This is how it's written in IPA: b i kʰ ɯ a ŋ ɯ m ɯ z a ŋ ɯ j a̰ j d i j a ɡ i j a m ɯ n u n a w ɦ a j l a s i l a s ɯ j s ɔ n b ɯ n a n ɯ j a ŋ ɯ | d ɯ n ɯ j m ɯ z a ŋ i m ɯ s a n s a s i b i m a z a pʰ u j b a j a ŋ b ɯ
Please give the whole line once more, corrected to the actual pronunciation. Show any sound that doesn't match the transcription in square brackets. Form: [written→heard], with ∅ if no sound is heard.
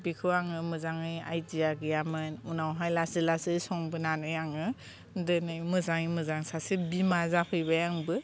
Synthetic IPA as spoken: b i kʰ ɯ a ŋ ɯ m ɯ z a ŋ ɯ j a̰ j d i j a ɡ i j a m ɯ n u n a w ɦ a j l a s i l a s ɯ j s ɔ [n→ŋ] b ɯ n a n ɯ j a ŋ ɯ | d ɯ n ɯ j m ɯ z a ŋ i m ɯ [s→z] a [n→ŋ] s a s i b i m a z a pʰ [u→ɯ] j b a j a ŋ b ɯ

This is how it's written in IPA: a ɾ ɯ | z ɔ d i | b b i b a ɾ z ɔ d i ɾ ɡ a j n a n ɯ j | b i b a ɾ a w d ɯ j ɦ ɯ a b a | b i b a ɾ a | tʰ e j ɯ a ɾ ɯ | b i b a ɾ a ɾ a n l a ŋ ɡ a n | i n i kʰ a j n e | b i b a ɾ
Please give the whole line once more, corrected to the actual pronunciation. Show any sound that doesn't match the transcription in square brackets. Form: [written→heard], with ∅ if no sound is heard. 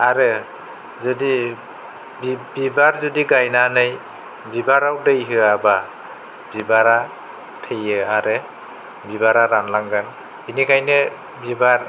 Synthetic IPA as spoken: a ɾ ɯ | z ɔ d i | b b i b a ɾ z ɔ d i [ɾ→∅] ɡ a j n a n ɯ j | b i b a ɾ a w d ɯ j ɦ ɯ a b a | b i b a ɾ a | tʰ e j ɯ a ɾ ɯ | b i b a ɾ a ɾ a n l a ŋ ɡ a n | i n i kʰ a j n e | b i b a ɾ

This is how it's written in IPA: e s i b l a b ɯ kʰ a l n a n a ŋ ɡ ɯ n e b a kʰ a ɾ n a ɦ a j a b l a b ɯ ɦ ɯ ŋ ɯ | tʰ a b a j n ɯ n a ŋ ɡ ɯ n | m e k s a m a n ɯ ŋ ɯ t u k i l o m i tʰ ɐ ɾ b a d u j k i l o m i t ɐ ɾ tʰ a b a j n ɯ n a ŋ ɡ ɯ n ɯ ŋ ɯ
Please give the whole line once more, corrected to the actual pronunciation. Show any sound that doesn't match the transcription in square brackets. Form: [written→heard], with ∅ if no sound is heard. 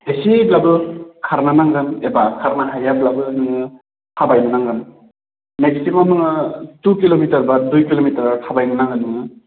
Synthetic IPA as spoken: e s i b l a b ɯ kʰ a [l→ɾ] n a n a ŋ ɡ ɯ n e b a kʰ a ɾ n a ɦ a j a b l a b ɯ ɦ ɯ ŋ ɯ | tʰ a b a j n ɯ n a ŋ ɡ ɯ n | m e k s [a→i] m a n ɯ ŋ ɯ t u k i l o m i [tʰ→t] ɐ ɾ b a d u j k i l o m i t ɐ ɾ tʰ a b a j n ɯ n a ŋ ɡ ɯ n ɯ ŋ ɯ

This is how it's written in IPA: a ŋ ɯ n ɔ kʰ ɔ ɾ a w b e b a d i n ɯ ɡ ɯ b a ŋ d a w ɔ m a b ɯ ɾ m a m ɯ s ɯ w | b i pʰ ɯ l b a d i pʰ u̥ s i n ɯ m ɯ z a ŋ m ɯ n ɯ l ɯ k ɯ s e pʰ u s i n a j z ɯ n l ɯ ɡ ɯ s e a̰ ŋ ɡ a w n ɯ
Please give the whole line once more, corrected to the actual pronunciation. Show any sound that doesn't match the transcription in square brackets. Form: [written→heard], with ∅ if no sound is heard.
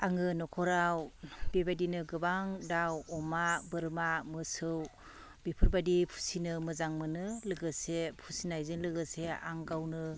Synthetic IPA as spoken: a ŋ ɯ n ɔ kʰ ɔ ɾ a w b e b a d i n ɯ ɡ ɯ b a ŋ d a w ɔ m a b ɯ ɾ m a m ɯ s ɯ w | b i pʰ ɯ [l→ɾ] b a d i pʰ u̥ s i n ɯ m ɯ z a ŋ m ɯ n ɯ l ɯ [k→ɡ] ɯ s e pʰ u s i n a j z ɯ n l ɯ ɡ ɯ s e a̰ ŋ ɡ a w n ɯ

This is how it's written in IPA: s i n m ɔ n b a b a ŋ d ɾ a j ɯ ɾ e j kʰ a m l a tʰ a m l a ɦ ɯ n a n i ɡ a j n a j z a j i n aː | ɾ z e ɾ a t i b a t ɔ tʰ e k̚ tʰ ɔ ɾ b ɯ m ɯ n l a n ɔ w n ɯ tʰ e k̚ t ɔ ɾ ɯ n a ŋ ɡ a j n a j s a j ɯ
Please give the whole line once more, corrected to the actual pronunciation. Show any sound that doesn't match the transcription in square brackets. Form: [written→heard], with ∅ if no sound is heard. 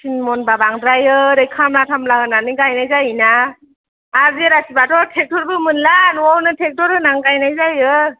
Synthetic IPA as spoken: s i n m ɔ n b a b a ŋ d ɾ a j ɯ ɾ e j kʰ a m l a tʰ a m l a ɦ ɯ n a n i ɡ a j n a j z a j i n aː | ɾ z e ɾ a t i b a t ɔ tʰ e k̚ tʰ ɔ ɾ b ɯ m ɯ n l a n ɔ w n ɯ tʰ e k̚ t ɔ ɾ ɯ n a ŋ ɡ a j n a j [s→z] a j ɯ

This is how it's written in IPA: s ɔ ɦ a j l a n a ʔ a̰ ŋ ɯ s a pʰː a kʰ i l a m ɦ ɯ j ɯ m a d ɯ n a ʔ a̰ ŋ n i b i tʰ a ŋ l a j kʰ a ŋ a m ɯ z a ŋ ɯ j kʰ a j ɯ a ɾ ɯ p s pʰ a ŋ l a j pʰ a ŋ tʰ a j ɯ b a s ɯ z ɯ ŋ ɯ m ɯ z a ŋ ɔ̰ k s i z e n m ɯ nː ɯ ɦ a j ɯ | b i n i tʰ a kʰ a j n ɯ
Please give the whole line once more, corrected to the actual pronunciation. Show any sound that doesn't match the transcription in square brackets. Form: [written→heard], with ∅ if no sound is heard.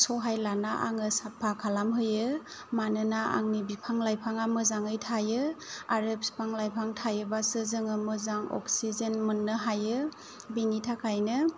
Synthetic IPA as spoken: s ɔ ɦ a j l a n a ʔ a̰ ŋ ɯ s a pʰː a kʰ [i→a] l a m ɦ ɯ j ɯ m a [d→n] ɯ n a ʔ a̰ ŋ n i b i [tʰ→pʰ] a ŋ l a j [kʰ→pʰ] a ŋ a m ɯ z a ŋ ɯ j [kʰ→tʰ] a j ɯ a ɾ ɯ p s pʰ a ŋ l a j pʰ a ŋ tʰ a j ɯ b a s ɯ z ɯ ŋ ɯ m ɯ z a ŋ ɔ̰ k s i z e n m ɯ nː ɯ ɦ a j ɯ | b i n i tʰ a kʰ a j n ɯ

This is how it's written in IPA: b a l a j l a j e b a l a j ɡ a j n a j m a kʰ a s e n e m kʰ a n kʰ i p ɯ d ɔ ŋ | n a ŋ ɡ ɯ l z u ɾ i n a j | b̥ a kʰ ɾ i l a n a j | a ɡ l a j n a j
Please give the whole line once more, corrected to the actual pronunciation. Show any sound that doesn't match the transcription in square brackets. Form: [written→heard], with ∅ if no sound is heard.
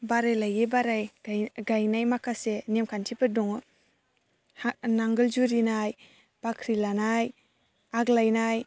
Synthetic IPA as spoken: b a [l→ɾ] a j l a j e b a [l→ɾ] a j ɡ a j n a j m a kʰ a s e n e m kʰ a n [kʰ→tʰ] i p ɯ d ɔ ŋ | n a ŋ ɡ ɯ l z u ɾ i n a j | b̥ a kʰ ɾ i l a n a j | a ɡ l a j n a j

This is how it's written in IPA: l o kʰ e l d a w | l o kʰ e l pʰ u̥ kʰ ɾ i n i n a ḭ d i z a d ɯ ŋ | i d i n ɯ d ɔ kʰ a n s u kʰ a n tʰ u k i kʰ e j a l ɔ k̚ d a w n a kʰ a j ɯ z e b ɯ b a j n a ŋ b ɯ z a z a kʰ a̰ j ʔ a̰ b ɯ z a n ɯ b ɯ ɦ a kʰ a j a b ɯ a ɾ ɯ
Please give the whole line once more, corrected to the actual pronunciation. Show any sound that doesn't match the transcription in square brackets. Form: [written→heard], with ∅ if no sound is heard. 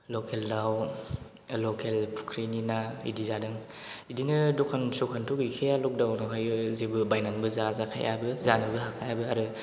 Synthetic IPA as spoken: l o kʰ e l d a w | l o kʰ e l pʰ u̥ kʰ ɾ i n i n a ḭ d i z a d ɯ ŋ | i d i n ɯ d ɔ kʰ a n s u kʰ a n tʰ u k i kʰ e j a l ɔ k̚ d a w n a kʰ a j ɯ z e b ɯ b a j n a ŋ b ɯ z a z a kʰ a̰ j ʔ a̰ b ɯ z a n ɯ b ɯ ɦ a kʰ a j a b ɯ a ɾ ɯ

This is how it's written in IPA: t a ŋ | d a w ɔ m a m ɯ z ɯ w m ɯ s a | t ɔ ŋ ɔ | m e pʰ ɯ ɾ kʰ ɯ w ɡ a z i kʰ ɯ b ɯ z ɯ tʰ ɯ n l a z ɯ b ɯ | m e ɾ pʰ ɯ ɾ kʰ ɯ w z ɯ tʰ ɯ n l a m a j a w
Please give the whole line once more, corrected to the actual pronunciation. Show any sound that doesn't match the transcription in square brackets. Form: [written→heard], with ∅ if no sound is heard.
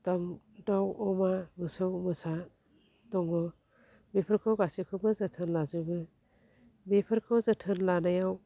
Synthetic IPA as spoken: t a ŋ | d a w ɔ m a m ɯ [z→s] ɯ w m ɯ s a | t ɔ ŋ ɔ | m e pʰ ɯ ɾ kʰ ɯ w ɡ a [z→s] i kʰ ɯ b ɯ z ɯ tʰ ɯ n l a z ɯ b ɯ | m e [ɾ→∅] pʰ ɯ ɾ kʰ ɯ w z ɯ tʰ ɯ n l a [m→n] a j a w

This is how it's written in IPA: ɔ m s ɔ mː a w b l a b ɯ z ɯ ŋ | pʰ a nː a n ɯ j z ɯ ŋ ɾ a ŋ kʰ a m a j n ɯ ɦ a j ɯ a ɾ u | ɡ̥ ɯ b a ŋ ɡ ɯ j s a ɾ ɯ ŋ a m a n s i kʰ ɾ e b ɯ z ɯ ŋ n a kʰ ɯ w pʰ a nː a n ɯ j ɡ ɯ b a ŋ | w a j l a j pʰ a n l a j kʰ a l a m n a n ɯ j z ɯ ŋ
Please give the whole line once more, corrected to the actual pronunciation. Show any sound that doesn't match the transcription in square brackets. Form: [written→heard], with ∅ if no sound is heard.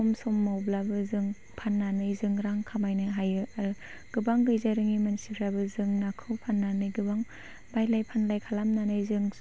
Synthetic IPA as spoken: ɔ m s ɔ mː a w b l a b ɯ z ɯ ŋ | pʰ a nː a n ɯ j z ɯ ŋ ɾ a ŋ kʰ a m a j n ɯ ɦ a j ɯ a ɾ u | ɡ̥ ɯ b a ŋ ɡ ɯ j [s→z] a ɾ ɯ ŋ [a→i] m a n s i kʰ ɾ [e→a] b ɯ z ɯ ŋ n a kʰ ɯ w pʰ a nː a n ɯ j ɡ ɯ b a ŋ | [w→b] a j l a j pʰ a n l a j kʰ a l a m n a n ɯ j z ɯ ŋ

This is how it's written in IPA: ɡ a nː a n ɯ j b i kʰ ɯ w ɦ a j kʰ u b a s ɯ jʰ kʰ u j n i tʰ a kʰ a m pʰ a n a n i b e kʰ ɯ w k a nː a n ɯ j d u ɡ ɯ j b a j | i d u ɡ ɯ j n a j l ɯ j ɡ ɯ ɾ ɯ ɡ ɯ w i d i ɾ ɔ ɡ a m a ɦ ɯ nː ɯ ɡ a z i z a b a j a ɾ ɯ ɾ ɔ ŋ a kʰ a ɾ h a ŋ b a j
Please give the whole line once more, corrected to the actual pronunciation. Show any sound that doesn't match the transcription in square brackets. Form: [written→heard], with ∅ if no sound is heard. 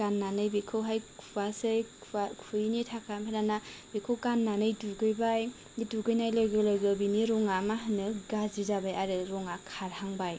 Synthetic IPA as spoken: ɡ a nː a n ɯ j b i kʰ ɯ w ɦ a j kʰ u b a s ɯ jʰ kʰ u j n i tʰ a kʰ a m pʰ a n a n [i→a] b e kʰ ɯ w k a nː a n ɯ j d u ɡ ɯ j b a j | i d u ɡ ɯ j n a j l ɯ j ɡ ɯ [ɾ→l] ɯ ɡ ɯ [w→b] i [d→n] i ɾ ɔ [ɡ→ŋ] a m a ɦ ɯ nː ɯ ɡ a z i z a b a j a ɾ ɯ ɾ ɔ ŋ a kʰ a ɾ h a ŋ b a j

